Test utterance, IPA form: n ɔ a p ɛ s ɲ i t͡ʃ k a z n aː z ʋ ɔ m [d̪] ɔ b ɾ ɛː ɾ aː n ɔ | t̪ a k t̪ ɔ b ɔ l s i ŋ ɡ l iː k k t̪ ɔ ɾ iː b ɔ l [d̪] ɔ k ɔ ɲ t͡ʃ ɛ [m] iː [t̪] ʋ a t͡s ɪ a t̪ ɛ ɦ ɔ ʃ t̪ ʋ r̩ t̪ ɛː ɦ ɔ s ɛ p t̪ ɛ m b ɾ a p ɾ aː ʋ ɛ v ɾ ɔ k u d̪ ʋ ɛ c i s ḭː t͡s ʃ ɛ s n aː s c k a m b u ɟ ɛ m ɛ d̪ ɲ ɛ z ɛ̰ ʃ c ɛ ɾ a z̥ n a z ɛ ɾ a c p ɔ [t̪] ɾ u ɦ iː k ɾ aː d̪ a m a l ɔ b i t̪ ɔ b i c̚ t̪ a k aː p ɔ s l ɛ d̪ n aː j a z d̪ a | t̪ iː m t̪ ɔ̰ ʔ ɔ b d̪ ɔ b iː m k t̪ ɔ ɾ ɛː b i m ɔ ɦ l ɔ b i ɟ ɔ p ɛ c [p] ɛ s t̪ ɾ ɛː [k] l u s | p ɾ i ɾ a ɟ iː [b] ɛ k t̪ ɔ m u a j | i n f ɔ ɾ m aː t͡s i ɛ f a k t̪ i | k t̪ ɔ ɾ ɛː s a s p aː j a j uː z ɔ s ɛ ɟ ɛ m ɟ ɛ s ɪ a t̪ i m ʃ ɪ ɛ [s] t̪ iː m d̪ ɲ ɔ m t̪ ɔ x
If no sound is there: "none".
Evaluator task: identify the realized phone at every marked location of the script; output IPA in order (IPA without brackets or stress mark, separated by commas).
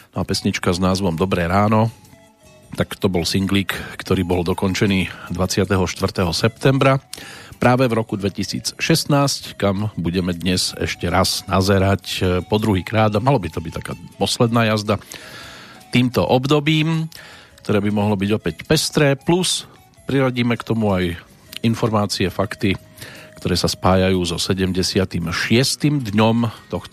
d̪, d̪, n, d̪, d̪, p, p, m, s